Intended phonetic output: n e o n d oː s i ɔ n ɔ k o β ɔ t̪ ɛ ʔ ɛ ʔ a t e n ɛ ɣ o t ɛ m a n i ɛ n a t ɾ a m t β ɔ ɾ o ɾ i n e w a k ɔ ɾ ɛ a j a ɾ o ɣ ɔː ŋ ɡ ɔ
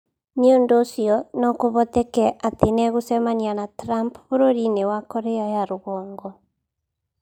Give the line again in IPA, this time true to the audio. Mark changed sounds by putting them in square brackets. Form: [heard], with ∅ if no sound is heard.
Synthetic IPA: n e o n d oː s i ɔ n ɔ k o β ɔ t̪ ɛ [k] ɛ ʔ a t e n ɛ ɣ o [s] ɛ m a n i [a] n a t ɾ a m [p] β [o] ɾ o ɾ i n e w a k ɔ ɾ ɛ a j a ɾ o ɣ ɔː ŋ ɡ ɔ